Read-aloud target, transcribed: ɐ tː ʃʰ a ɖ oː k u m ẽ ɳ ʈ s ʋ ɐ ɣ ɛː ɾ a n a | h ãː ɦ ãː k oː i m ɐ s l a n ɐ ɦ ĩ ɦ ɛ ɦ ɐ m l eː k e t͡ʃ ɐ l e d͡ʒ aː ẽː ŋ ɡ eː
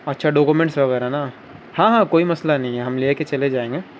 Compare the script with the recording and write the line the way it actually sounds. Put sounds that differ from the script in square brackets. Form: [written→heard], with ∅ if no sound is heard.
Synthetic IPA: ɐ tː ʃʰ a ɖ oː k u m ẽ ɳ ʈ s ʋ ɐ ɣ ɛː ɾ a n a | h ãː ɦ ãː k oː i m ɐ s l a n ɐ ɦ ĩ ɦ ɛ ɦ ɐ m l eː k e t͡ʃ ɐ l e d͡ʒ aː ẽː ŋ ɡ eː